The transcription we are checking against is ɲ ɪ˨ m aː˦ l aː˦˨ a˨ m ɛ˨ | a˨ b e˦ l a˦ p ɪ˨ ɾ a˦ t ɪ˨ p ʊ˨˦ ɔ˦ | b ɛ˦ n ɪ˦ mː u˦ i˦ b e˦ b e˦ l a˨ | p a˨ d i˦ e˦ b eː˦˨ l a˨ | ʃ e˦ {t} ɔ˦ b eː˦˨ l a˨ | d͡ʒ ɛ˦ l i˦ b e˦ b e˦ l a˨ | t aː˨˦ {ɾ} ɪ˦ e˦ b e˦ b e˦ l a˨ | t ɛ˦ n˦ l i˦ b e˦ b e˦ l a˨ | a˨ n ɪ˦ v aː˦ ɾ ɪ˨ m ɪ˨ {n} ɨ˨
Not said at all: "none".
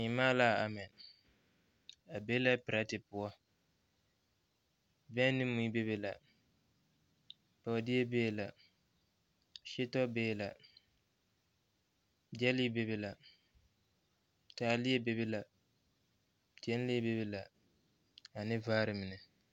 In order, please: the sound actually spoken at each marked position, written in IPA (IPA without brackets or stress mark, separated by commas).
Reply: t, l, n